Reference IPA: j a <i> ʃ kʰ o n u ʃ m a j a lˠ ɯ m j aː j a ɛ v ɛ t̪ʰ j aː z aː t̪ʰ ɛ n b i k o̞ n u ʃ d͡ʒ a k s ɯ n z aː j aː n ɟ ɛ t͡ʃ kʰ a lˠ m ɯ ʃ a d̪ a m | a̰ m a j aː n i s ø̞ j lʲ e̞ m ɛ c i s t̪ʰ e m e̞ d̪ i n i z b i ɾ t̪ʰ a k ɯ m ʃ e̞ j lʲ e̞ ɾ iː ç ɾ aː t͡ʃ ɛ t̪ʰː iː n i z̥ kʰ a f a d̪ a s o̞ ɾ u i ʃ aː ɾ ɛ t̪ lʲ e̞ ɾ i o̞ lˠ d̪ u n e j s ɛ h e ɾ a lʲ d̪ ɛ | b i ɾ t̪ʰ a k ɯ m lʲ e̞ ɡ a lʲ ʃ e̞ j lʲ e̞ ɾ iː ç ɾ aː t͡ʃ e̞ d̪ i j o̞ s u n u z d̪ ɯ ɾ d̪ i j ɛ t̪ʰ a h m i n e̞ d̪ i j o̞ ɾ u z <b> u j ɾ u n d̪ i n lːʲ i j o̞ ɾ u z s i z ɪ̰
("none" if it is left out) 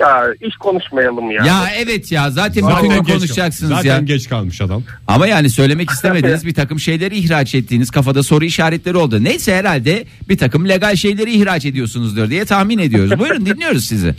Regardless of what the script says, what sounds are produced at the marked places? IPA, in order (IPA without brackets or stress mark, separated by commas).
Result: i, b